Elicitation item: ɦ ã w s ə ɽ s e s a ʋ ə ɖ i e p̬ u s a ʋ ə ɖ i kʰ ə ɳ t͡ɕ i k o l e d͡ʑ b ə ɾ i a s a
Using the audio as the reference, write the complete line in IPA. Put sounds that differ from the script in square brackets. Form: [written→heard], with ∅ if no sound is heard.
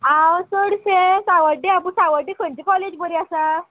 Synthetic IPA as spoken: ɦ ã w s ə ɽ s e s a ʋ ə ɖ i [e→a] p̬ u s a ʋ ə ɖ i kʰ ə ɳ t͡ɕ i k [o→ɔ] l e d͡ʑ b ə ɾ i a s a